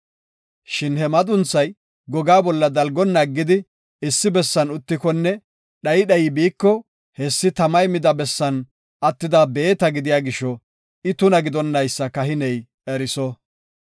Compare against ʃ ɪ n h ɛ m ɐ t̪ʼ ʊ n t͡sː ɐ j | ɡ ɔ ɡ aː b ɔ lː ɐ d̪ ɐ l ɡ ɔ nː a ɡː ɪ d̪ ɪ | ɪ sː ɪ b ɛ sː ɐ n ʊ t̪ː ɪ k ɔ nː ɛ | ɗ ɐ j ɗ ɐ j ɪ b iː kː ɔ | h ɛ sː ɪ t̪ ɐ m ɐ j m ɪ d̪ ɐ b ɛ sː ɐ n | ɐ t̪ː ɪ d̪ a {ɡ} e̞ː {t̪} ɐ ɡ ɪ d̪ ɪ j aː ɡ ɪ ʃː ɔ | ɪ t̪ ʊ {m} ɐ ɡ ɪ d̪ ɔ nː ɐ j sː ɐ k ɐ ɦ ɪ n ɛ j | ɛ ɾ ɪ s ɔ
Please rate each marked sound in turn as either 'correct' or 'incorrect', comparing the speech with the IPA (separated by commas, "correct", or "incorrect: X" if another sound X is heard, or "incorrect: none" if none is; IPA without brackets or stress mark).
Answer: incorrect: b, correct, incorrect: n